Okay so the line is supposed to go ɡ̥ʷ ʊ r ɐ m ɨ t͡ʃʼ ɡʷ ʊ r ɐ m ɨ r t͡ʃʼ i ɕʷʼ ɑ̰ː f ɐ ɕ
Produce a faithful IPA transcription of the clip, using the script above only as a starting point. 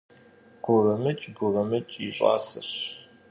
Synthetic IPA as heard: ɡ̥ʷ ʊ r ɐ m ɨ t͡ʃʼ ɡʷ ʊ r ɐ m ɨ t͡ʃʼ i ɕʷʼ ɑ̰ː s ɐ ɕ